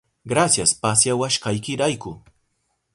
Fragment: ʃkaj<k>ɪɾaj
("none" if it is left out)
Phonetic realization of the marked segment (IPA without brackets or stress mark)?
k